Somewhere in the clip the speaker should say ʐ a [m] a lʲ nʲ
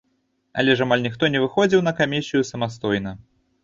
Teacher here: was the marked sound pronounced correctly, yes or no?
yes